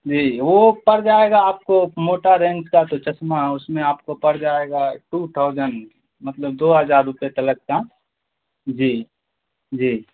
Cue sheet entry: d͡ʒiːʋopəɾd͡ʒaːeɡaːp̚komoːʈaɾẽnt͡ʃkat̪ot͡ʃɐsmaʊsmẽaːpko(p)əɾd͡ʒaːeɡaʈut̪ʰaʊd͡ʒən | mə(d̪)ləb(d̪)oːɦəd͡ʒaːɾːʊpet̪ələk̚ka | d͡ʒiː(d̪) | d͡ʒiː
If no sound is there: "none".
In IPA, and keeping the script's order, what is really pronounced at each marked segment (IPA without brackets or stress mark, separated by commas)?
p, t̪, d̪, none